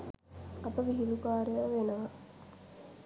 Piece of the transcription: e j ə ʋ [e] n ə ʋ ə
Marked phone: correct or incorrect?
correct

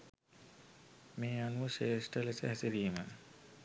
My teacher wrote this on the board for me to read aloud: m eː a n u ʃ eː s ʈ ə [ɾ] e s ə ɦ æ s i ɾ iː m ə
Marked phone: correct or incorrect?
incorrect: l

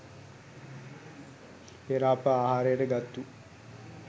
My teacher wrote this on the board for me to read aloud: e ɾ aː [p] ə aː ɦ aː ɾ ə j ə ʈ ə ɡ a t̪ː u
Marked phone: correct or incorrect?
correct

